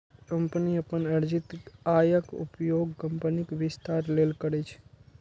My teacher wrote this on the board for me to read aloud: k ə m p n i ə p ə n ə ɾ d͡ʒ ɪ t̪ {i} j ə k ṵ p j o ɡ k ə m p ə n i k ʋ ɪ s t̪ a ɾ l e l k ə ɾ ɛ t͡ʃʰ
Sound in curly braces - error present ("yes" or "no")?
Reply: yes